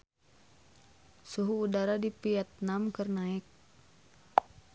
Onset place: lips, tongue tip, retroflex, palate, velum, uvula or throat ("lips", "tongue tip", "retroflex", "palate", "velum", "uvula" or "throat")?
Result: tongue tip